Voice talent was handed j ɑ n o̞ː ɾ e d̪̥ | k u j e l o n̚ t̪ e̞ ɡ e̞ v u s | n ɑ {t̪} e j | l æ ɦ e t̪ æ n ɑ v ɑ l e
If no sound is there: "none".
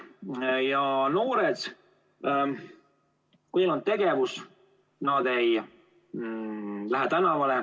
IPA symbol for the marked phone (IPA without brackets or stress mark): d̪